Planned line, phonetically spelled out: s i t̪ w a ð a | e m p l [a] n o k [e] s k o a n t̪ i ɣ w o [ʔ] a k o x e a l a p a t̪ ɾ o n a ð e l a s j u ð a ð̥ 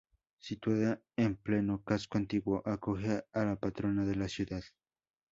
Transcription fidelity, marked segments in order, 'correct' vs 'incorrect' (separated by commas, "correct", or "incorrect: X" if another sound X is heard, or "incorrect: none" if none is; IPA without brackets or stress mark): incorrect: e, incorrect: a, correct